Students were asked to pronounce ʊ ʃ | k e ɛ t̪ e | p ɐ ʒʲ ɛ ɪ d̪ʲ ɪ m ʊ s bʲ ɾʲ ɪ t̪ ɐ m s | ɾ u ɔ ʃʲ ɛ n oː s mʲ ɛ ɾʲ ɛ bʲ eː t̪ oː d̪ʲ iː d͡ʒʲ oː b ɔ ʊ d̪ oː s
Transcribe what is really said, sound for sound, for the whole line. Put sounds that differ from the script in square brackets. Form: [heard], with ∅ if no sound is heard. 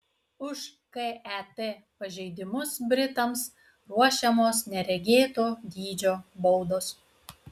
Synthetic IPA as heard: ʊ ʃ | k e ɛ t̪ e | p ɐ ʒʲ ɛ ɪ d̪ʲ ɪ m ʊ s bʲ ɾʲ ɪ t̪ ɐ m s | ɾ u ɔ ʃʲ ɛ [m] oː s [nʲ] ɛ ɾʲ ɛ [ɡʲ] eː t̪ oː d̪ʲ iː d͡ʒʲ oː b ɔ ʊ d̪ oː s